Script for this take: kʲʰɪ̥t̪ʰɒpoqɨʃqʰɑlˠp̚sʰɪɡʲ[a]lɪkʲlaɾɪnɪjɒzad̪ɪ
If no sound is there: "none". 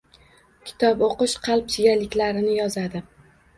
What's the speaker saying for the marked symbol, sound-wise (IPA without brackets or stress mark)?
a